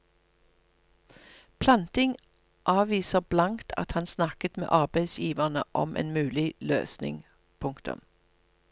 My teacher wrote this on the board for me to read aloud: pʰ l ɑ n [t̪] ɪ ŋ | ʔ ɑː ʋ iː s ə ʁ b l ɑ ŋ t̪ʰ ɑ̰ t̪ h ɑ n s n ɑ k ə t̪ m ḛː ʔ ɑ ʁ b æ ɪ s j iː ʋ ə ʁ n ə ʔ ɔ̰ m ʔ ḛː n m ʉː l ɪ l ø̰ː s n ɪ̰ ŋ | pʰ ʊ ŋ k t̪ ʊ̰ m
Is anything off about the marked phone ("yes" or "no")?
no